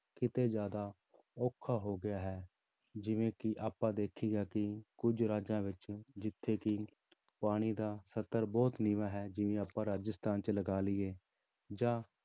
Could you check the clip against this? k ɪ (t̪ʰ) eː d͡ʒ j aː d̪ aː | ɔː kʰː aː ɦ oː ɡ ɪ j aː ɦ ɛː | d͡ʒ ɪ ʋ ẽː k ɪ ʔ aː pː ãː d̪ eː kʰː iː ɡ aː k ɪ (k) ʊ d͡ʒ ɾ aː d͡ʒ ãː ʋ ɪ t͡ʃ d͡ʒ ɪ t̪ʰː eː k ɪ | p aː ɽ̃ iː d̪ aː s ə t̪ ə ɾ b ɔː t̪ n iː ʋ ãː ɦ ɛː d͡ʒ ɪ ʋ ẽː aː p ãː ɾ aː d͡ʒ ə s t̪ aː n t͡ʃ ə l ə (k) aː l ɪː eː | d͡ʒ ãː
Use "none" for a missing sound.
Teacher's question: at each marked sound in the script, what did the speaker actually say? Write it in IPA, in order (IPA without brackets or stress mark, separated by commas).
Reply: t̪, k, ɡ